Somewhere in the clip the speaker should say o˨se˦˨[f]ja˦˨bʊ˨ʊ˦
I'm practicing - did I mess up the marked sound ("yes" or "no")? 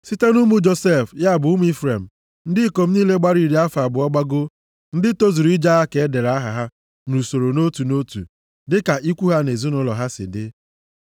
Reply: no